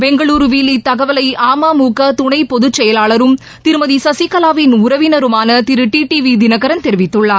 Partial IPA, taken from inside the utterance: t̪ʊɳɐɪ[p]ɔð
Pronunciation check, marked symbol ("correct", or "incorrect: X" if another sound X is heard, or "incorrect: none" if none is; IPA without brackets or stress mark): correct